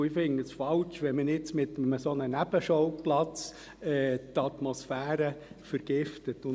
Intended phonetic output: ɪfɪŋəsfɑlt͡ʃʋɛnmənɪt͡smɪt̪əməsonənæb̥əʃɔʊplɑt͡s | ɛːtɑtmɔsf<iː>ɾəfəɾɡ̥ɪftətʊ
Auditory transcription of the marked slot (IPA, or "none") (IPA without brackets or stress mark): æː